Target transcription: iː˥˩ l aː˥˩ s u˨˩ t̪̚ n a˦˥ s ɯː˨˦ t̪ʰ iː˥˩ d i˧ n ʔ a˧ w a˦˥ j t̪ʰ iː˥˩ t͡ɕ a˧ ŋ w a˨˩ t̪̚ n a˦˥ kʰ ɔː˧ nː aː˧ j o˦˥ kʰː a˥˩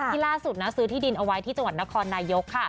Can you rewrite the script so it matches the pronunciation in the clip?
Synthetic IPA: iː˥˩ l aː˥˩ s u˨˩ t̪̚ n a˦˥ s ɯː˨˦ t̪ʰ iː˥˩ d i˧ n ʔ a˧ w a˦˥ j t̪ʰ iː˥˩ t͡ɕ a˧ ŋ w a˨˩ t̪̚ n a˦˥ kʰ ɔː˧ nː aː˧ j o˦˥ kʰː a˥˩